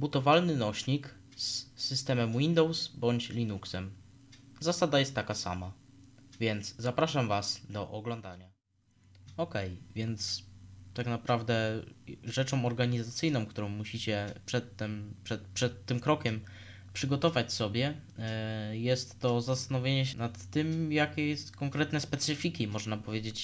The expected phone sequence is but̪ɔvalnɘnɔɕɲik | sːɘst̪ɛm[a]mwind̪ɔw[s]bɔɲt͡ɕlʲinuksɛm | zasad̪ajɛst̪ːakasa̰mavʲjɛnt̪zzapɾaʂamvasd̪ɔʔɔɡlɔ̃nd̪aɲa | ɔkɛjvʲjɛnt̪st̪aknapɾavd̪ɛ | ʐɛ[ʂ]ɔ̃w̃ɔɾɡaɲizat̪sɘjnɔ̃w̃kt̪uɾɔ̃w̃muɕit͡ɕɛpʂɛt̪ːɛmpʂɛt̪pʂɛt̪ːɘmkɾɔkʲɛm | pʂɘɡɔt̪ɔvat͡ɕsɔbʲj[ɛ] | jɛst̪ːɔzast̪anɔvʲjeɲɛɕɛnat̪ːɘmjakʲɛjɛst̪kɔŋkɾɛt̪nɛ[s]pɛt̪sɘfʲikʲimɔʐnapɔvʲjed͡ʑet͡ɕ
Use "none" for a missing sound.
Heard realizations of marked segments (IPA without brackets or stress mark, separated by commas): ɛ, s, t͡ʂ, ɛ, s